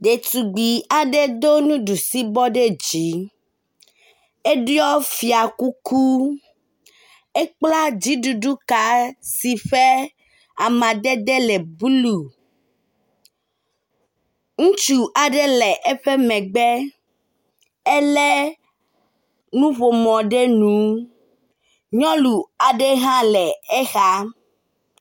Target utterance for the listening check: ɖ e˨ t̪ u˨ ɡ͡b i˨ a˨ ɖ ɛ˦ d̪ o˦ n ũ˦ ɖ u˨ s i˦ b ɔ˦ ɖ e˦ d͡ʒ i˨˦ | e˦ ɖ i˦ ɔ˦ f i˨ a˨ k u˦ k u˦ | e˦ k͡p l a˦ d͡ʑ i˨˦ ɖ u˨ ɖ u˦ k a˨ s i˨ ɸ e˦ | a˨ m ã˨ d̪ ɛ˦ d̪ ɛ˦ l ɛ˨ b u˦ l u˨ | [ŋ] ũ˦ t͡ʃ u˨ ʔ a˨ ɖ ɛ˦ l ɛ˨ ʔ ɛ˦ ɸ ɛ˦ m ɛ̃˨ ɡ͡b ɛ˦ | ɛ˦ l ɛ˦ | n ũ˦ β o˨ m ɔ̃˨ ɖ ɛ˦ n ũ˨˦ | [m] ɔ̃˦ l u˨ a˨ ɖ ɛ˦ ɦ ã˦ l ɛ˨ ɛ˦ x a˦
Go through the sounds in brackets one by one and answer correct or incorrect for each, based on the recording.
correct, incorrect

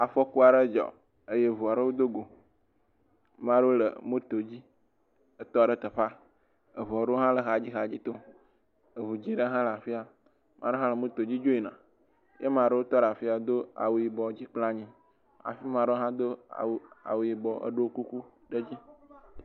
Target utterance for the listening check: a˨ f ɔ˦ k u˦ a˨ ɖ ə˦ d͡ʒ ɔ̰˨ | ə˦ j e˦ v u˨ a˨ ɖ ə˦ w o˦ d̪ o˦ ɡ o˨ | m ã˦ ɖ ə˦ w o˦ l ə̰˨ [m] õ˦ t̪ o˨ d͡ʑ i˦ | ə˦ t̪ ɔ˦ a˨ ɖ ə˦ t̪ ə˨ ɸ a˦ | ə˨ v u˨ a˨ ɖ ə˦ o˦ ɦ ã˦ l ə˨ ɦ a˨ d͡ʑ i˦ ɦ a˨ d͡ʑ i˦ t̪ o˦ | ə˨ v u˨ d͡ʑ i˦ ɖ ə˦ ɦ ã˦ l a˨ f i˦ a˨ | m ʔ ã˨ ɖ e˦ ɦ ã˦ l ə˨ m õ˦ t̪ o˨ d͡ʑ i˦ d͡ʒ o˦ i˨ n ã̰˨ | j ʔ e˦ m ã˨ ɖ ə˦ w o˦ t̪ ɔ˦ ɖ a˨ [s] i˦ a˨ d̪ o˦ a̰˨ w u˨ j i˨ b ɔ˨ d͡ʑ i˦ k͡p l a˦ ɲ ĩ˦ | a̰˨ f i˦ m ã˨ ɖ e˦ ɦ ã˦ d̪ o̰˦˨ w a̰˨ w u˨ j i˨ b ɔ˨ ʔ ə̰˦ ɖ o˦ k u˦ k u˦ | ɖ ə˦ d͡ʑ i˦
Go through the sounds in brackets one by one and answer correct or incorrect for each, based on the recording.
correct, incorrect

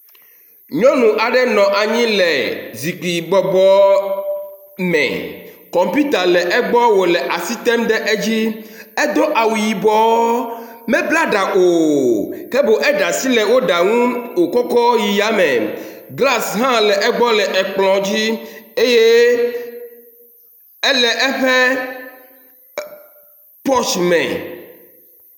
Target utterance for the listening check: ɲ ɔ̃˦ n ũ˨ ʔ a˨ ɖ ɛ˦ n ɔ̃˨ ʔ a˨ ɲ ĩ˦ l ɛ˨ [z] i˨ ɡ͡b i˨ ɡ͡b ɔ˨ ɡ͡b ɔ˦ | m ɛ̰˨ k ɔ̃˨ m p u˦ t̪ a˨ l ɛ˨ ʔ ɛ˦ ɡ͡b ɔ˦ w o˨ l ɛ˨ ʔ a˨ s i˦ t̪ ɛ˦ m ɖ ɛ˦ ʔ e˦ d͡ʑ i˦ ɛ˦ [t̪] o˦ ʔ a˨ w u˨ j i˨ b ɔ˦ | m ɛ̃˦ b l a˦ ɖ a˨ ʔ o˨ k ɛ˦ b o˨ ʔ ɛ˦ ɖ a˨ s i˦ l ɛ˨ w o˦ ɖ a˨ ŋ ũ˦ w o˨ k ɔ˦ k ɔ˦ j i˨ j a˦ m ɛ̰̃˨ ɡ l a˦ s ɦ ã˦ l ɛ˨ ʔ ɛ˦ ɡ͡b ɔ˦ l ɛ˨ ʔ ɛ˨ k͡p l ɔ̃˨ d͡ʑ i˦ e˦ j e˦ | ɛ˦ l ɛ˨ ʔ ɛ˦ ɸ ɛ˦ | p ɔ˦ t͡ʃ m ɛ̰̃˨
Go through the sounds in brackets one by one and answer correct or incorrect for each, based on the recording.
correct, incorrect

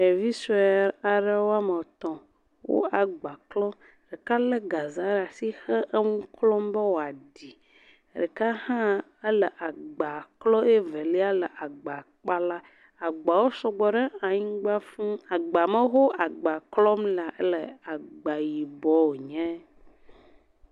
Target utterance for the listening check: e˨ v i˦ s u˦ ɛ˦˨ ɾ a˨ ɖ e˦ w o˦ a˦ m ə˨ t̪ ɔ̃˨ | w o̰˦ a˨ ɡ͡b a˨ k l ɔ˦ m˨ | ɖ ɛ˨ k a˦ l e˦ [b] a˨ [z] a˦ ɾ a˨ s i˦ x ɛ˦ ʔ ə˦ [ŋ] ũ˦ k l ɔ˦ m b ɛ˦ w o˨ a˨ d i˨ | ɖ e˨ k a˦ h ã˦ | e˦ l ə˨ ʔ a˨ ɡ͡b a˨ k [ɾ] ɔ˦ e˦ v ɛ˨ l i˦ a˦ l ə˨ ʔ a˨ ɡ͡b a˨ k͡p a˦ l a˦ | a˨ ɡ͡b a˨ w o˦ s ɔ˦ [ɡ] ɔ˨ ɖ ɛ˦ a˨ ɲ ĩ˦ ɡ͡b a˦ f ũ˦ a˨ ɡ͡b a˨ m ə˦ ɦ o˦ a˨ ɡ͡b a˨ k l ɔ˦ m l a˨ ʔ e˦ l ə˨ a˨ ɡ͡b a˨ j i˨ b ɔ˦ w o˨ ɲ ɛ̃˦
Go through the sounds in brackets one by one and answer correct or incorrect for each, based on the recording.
incorrect, correct, correct, incorrect, incorrect

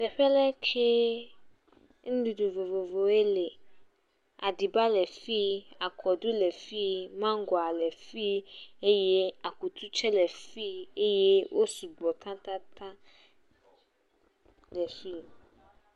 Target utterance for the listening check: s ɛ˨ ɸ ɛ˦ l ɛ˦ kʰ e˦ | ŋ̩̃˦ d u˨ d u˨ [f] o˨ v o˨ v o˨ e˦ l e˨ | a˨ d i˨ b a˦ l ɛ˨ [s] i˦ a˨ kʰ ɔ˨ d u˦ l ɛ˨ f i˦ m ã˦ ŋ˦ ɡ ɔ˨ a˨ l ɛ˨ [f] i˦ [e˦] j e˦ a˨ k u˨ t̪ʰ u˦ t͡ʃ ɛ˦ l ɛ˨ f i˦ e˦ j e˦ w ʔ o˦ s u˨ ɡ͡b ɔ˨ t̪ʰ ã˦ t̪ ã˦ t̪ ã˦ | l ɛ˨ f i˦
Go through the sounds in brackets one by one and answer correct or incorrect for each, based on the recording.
incorrect, incorrect, correct, correct

